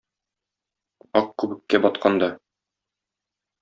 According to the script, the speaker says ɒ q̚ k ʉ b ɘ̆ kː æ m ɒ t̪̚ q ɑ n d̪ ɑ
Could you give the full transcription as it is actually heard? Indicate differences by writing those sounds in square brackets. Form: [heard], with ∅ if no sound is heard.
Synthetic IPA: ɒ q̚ k ʉ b ɘ̆ kː æ [b] ɒ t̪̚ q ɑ n d̪ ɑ